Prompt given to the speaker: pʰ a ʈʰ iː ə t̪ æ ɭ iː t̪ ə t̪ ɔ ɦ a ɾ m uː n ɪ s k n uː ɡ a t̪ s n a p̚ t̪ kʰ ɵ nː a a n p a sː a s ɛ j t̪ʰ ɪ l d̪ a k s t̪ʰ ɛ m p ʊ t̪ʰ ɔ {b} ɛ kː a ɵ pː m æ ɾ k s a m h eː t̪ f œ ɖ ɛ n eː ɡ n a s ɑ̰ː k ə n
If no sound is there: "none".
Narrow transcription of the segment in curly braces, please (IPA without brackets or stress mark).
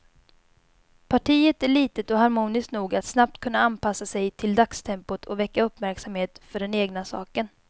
v